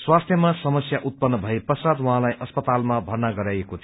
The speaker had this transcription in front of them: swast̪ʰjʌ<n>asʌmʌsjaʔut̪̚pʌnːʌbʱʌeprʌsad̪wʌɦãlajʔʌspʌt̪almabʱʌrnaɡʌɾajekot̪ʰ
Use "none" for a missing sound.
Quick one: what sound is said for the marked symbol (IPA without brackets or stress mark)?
m